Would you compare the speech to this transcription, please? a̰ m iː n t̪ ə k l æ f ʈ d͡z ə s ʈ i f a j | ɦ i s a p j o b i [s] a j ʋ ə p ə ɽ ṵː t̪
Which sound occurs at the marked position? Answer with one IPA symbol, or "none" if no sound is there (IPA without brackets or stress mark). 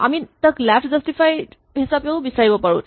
s